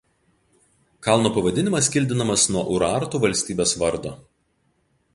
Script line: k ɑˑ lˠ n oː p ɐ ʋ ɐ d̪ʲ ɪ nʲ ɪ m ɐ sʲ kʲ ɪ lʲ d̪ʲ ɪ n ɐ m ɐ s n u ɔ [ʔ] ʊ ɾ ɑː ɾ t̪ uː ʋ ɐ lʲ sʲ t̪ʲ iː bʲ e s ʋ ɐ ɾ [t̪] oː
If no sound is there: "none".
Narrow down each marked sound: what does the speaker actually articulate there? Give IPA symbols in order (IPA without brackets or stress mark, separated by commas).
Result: ʔ, d̪